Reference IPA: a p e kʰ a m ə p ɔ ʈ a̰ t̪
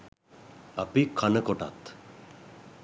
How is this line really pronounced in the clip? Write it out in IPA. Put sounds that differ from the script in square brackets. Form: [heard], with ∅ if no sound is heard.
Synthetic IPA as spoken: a p [i] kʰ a [n] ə [k] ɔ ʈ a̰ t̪